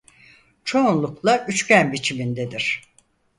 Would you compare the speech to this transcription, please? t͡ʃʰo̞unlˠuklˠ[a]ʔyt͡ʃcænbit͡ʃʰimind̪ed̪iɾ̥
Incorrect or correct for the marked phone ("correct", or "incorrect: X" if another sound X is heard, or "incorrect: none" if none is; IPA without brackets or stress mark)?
correct